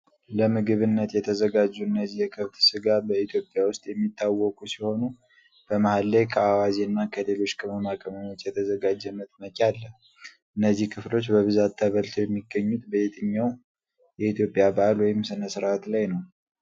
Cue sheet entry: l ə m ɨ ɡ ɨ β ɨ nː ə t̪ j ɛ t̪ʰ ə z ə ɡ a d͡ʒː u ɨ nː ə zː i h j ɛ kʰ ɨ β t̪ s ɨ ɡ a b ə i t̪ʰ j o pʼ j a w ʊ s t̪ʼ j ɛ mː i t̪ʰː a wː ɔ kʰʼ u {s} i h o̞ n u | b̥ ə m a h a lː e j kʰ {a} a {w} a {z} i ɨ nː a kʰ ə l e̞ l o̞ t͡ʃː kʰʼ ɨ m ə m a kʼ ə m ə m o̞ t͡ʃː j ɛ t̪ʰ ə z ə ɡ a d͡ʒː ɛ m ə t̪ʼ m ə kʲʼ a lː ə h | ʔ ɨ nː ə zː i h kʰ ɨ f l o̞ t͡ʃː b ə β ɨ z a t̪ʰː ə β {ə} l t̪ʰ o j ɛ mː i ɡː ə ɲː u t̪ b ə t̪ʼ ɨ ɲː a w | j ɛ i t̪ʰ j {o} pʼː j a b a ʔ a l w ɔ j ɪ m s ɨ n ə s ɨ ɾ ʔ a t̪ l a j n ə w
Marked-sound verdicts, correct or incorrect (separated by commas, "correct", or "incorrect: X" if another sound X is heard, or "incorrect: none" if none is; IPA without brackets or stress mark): correct, incorrect: ə, correct, correct, correct, correct